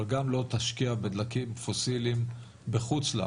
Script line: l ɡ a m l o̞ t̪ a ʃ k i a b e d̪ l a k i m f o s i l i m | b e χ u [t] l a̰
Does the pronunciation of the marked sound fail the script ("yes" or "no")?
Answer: yes